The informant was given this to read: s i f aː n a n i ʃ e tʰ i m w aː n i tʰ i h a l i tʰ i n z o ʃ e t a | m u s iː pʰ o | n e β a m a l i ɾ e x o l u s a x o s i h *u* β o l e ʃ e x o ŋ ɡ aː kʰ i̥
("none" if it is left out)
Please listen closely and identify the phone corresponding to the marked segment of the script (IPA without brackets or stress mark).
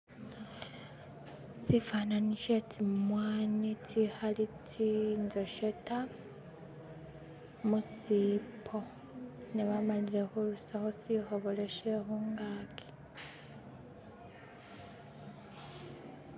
o